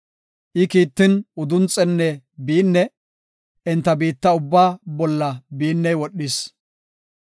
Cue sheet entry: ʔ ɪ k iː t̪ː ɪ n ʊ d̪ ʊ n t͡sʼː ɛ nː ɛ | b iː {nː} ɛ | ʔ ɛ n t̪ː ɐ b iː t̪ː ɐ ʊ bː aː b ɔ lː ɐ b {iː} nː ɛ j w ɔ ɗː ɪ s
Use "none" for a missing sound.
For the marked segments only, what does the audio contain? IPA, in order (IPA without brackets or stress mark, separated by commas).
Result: nː, iː